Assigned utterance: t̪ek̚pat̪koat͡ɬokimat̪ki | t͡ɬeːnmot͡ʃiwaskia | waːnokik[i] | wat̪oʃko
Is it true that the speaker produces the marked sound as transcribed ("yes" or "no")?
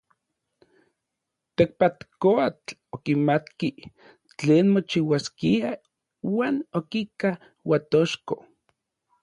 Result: no